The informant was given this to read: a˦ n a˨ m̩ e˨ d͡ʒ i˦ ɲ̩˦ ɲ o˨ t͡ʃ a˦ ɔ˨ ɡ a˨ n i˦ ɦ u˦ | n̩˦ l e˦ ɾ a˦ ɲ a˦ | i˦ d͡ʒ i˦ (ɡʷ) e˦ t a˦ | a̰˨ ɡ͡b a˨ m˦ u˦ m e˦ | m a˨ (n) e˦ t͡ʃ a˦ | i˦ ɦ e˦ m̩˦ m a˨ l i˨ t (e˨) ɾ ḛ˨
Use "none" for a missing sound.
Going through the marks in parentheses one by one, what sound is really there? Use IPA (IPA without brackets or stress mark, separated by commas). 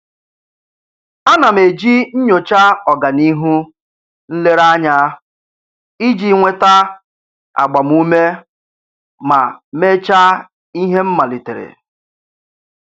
ŋʷ, m, e˨